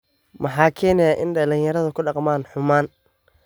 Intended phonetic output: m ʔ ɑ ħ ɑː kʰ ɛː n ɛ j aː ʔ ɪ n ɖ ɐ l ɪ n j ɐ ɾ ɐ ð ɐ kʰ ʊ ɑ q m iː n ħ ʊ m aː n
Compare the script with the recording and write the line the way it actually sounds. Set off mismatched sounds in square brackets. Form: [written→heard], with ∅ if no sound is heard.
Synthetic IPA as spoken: m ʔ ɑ ħ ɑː kʰ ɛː n ɛ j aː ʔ ɪ n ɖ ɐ l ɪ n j ɐ ɾ ɐ ð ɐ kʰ ʊ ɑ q m [iː→aː] n ħ ʊ m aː n